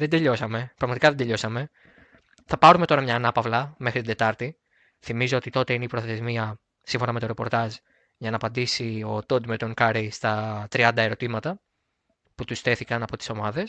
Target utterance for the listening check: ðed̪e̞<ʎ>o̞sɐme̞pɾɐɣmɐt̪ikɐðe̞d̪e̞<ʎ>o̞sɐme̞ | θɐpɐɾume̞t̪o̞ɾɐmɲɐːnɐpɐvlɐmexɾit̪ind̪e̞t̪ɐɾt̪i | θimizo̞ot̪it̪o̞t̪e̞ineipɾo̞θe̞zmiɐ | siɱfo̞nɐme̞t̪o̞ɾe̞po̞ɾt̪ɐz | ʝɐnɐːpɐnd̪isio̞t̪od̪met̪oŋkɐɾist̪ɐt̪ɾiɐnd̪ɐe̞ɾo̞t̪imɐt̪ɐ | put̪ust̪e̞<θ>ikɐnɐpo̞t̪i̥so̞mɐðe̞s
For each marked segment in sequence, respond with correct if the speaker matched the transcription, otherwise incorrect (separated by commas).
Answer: correct, correct, correct